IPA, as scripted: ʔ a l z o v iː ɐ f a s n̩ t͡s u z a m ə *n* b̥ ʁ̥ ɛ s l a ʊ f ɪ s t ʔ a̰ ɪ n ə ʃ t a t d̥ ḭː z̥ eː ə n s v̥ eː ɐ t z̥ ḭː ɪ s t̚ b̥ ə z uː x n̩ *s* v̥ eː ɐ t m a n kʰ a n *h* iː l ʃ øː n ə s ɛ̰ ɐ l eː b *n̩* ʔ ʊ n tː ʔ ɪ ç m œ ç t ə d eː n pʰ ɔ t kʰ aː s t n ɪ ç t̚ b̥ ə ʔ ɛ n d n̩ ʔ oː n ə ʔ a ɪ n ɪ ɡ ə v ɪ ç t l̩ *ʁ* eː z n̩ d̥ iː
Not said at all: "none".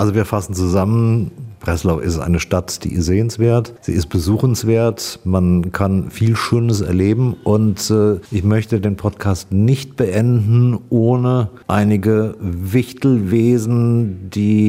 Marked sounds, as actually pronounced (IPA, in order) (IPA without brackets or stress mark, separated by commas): n, s, f, m̩, v